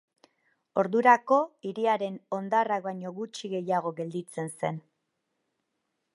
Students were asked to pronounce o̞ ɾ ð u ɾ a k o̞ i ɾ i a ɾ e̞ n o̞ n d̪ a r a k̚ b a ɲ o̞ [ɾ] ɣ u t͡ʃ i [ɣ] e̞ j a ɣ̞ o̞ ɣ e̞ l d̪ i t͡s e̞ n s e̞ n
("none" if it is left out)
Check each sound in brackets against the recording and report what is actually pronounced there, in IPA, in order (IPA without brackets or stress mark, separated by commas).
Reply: none, ɣ